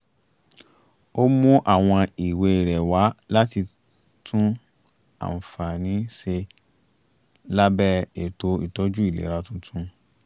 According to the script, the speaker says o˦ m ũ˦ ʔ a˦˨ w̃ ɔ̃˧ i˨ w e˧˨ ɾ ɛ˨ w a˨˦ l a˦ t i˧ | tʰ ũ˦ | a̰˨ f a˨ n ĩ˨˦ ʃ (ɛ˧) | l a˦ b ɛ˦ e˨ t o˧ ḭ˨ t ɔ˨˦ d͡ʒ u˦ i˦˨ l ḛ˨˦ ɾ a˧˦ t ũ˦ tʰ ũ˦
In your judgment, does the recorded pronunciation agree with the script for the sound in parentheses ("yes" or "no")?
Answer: no